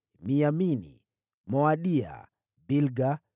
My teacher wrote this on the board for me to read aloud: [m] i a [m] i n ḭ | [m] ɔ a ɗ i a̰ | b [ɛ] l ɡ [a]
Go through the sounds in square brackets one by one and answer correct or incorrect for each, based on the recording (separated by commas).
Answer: correct, correct, correct, incorrect, correct